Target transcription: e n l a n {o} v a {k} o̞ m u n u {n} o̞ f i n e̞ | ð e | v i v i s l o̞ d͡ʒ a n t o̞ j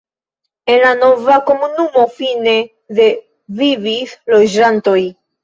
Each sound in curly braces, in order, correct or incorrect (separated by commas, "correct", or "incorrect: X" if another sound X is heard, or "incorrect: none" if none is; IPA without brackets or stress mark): correct, correct, incorrect: m